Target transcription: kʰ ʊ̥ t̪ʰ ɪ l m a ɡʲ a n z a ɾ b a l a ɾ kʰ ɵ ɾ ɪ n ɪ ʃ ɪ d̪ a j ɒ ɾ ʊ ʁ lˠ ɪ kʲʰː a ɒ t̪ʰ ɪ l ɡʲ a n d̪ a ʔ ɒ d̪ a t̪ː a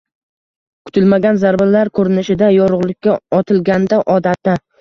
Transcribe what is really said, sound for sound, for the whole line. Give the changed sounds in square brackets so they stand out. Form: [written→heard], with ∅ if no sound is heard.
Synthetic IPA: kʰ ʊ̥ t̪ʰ ɪ l m a ɡʲ a n z a ɾ b a l a ɾ kʰ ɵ ɾ ɪ n ɪ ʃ ɪ d̪ a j ɒ ɾ ʊ ʁ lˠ ɪ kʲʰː a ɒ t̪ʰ ɪ l ɡʲ a n d̪ a ʔ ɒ d̪ a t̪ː a